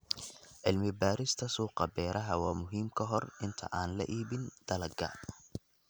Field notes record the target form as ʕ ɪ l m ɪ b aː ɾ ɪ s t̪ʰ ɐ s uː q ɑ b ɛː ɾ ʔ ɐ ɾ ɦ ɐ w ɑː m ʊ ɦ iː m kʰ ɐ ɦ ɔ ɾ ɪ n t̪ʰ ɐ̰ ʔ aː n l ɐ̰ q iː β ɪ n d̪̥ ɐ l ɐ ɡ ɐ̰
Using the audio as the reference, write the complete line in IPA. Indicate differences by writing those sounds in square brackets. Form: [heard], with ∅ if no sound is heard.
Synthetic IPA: ʕ ɪ l m ɪ b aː ɾ ɪ s t̪ʰ ɐ s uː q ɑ b ɛː ɾ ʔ ɐ [∅] ɦ ɐ w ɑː m ʊ ɦ iː m kʰ ɐ ɦ ɔ [r] ɪ n t̪ʰ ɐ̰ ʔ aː n l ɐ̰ [ʔ] iː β ɪ n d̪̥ ɐ l ɐ ɡ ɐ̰

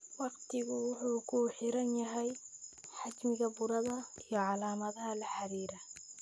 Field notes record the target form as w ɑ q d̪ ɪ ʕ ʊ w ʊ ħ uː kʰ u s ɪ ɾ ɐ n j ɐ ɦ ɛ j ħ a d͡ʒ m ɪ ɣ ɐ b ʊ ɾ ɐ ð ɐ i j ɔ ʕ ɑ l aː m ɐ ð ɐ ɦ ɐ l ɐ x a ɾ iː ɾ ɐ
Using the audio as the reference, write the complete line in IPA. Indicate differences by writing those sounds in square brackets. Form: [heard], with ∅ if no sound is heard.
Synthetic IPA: w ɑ q [t̪] ɪ [ɣ] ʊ w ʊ ħ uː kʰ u [ħ] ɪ ɾ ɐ n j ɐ ɦ ɛ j ħ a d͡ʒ m ɪ ɣ ɐ b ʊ ɾ ɐ ð ɐ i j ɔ ʕ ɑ l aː m ɐ ð ɐ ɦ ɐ l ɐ [ħ] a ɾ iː ɾ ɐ

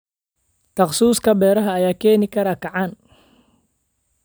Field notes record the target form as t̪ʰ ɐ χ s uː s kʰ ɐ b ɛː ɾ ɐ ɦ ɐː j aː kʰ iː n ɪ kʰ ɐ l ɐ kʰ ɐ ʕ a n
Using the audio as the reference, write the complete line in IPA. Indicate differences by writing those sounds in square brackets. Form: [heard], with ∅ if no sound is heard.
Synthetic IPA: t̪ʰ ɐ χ s uː s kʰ ɐ b ɛː ɾ ɐ ɦ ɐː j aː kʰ [ɛː] n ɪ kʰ ɐ [ɾ] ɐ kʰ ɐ ʕ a n

